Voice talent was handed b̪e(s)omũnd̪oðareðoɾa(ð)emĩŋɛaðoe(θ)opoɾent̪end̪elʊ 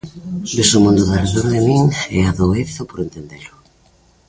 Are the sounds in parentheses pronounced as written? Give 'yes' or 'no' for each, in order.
yes, yes, yes

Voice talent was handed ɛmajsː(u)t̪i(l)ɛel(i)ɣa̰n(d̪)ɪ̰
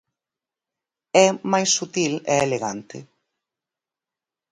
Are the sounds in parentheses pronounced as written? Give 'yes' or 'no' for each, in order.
yes, yes, no, no

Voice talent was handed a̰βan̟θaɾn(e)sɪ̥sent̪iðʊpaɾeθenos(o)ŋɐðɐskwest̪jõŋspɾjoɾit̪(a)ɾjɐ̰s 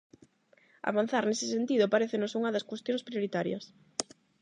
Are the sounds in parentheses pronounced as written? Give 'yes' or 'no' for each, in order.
yes, no, yes

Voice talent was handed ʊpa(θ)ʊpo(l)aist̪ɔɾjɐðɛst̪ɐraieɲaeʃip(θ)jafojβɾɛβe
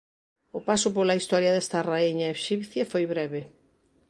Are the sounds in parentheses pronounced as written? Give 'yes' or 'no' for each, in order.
no, yes, yes

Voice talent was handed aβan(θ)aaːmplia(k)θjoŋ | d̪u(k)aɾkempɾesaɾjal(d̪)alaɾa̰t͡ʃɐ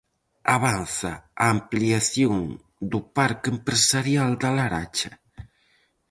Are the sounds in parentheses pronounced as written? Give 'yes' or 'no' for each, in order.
yes, no, no, yes

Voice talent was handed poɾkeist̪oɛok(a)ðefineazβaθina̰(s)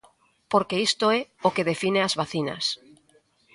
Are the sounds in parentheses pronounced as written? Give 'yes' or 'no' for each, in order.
no, yes

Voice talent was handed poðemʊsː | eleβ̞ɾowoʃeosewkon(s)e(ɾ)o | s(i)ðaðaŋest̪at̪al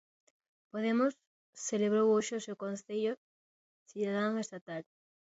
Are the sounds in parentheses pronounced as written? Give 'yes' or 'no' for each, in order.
no, no, yes

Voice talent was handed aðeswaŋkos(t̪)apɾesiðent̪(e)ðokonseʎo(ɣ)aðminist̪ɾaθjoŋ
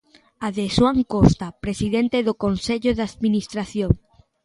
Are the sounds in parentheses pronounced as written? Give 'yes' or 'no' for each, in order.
yes, yes, no

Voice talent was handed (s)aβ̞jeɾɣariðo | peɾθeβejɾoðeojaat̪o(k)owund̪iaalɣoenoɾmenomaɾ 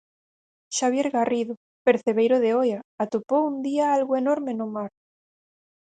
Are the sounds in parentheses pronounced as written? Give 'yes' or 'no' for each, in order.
no, no

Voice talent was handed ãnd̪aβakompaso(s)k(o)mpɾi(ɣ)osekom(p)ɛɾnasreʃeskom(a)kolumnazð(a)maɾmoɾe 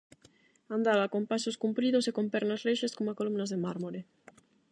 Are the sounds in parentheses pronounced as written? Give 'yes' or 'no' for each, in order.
yes, no, no, yes, yes, no

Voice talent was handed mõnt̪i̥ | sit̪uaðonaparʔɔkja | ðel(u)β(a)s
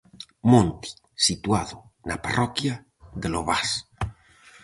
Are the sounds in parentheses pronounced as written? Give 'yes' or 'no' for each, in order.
no, yes

